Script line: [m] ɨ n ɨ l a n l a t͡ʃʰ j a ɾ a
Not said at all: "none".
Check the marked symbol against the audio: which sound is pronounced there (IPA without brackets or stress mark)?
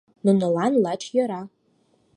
n